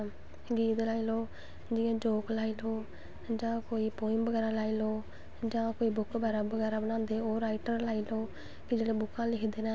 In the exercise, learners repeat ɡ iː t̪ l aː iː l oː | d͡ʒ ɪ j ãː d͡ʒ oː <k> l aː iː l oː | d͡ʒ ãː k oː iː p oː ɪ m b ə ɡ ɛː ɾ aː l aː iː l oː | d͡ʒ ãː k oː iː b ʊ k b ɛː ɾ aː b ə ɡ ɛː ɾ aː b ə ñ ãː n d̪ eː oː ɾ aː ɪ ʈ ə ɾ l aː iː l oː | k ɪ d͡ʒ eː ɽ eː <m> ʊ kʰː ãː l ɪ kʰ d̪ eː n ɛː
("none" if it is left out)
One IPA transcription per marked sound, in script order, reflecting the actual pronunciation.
k, b

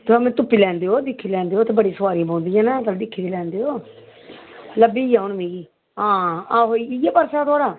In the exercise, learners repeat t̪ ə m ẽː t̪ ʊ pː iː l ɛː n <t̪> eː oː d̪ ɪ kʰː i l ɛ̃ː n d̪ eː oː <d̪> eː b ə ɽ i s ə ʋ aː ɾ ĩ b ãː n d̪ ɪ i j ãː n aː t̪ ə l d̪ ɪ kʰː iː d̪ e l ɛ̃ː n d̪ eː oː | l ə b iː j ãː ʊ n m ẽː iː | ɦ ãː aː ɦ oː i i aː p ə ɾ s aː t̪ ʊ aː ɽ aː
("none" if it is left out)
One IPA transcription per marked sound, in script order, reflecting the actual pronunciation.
d̪, t̪

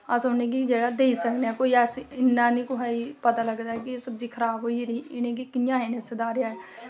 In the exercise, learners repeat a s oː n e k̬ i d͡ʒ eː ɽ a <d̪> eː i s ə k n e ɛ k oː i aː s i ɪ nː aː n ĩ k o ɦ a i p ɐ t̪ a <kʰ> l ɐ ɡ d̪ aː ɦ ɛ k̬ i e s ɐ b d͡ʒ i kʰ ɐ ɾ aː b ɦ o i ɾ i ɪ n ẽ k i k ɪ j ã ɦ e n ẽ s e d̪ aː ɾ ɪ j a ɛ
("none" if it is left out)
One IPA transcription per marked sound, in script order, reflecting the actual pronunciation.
d̪, none

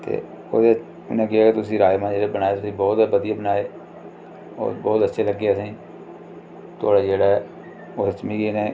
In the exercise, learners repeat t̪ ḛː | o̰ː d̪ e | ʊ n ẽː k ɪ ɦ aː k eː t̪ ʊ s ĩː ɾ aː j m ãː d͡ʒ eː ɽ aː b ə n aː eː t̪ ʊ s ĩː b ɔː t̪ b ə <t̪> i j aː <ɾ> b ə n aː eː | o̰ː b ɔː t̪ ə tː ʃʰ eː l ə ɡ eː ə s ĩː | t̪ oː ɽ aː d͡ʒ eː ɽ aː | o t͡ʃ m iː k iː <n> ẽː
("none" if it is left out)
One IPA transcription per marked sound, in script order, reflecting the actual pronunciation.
d̪, none, n

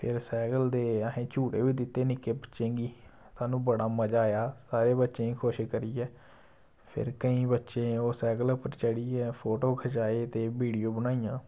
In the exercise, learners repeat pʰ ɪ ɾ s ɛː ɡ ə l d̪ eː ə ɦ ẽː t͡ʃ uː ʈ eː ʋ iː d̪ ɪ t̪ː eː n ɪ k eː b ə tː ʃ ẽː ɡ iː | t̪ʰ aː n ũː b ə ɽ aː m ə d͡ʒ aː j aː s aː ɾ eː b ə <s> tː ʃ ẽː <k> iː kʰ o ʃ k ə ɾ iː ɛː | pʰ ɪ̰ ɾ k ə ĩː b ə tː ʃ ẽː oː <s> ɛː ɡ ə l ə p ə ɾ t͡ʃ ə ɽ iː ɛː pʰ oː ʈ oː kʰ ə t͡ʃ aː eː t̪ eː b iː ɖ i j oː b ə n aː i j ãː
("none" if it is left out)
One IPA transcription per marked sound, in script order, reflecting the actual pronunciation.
none, none, s

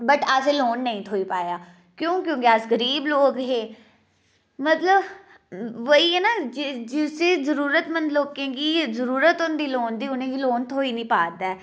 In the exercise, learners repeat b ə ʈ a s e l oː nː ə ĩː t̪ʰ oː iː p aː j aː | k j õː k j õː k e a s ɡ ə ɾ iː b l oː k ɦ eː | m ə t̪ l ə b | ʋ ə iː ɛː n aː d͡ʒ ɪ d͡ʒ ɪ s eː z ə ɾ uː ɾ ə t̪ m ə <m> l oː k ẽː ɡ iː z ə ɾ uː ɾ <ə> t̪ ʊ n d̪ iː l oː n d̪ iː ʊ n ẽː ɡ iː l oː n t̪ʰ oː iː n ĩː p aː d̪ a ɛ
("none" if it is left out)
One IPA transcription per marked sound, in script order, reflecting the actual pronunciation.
n, ə

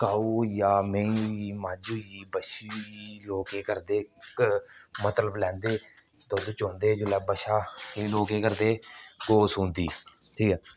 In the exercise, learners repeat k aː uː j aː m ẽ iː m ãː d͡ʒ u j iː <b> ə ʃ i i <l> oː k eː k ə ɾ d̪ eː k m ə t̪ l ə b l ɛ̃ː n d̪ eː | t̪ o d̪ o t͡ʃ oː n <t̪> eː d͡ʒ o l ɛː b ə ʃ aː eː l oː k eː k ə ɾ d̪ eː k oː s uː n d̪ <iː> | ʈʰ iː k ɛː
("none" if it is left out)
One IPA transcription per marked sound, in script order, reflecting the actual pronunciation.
b, l, d̪, iː

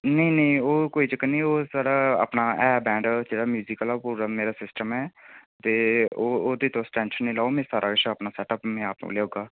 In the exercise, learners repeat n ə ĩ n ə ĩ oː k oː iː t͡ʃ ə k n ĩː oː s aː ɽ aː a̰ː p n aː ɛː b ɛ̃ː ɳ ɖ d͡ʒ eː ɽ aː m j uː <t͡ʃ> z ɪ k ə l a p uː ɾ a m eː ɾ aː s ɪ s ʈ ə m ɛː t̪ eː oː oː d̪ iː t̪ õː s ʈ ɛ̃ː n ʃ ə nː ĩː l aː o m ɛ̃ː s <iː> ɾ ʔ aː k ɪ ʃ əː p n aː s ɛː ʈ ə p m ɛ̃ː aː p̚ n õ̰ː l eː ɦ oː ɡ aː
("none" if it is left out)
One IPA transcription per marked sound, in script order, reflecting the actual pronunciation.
none, aː

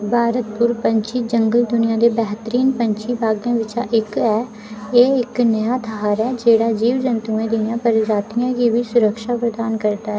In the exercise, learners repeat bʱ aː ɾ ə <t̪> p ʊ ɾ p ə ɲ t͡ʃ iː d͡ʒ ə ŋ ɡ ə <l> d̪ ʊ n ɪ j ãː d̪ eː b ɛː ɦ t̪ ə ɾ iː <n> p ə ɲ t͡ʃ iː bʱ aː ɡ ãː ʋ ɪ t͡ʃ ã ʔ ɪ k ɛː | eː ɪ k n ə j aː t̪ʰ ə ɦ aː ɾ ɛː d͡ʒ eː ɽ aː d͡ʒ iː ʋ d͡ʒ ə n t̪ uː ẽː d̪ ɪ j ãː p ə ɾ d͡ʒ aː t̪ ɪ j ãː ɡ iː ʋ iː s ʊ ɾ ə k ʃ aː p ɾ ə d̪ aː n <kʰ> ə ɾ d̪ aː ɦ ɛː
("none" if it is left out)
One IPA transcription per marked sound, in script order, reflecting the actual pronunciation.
t̪, l, n, k

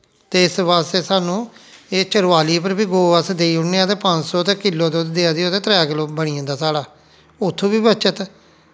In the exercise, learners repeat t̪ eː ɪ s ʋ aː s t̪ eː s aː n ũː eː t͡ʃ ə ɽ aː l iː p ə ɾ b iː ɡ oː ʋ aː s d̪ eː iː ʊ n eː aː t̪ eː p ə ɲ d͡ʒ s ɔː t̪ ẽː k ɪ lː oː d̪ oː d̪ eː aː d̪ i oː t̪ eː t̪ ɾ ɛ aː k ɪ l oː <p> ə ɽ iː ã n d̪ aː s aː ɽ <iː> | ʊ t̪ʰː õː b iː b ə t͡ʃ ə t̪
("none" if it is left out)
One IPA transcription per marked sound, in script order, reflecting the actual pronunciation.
b, aː

